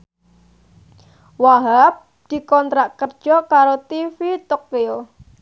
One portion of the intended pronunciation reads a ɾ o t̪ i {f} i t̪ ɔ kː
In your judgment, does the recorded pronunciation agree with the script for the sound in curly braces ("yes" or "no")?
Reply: yes